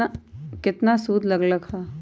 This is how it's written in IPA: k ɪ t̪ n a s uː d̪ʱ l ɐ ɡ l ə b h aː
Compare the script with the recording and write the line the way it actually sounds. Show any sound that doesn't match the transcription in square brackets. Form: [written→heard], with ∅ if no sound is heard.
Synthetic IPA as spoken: k ɪ t̪ n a s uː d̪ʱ l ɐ ɡ l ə [b→ɡ] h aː